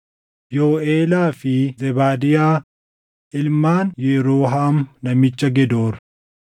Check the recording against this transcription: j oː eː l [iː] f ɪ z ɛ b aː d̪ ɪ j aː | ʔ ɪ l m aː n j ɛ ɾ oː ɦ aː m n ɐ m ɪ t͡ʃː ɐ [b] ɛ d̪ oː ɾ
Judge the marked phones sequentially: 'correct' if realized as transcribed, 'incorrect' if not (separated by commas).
incorrect, incorrect